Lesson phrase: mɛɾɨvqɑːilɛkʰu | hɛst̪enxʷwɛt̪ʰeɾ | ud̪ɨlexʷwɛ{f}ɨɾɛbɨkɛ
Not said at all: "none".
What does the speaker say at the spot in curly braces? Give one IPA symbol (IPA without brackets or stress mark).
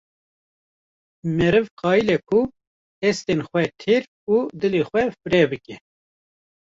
f